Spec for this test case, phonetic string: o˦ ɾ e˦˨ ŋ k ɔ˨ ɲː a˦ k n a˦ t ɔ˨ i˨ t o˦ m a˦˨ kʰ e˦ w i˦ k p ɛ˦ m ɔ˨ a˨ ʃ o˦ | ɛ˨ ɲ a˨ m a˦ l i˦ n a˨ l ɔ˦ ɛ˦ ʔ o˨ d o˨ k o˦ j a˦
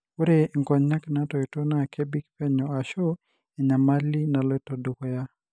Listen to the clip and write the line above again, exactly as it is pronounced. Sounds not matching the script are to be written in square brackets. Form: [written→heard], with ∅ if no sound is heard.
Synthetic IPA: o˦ ɾ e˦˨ ŋ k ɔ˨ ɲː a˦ k n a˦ t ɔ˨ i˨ t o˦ [m→n] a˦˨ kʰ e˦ [w→b] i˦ k p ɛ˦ [m→ɲ] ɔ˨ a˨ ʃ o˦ | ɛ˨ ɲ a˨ m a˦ l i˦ n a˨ l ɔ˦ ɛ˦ [ʔ→t] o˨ d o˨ k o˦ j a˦